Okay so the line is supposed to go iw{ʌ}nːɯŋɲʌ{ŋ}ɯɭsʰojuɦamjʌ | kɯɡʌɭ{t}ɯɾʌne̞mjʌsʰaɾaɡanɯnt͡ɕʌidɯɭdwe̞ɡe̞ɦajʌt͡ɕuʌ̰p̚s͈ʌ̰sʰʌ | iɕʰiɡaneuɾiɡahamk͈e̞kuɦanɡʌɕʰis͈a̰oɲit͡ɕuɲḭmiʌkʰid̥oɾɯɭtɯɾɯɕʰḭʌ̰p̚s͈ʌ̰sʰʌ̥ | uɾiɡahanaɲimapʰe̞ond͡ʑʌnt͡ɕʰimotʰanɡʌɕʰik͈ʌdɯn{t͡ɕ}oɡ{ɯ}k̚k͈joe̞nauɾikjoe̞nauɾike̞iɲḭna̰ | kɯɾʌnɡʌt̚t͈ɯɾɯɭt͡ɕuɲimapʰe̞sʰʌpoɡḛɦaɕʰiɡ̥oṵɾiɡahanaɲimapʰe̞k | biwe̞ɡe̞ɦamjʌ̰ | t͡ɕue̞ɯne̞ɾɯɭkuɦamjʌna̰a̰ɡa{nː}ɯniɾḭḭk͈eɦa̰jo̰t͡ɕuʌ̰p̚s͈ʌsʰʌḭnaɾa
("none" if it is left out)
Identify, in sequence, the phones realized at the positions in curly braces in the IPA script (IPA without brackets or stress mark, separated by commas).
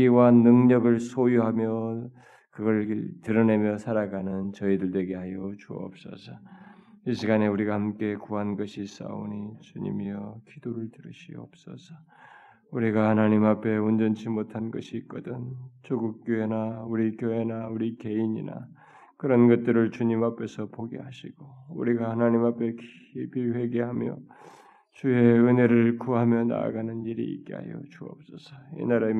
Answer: a, ɡ, t, t͡ɕ, u, n